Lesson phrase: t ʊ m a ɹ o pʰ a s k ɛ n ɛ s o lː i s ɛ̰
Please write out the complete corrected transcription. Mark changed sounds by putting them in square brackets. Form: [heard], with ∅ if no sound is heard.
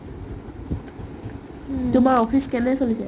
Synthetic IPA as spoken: t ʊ m a ɹ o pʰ [i] s k ɛ n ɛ s o [l] i s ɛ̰